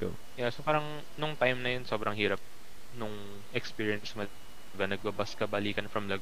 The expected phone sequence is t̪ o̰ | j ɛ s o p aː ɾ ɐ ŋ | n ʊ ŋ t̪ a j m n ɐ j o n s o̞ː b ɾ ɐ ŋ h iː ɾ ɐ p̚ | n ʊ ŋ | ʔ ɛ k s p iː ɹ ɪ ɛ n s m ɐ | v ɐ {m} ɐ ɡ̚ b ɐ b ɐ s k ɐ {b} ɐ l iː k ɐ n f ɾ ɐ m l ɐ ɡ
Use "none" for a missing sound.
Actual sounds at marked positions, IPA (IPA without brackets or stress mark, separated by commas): n, b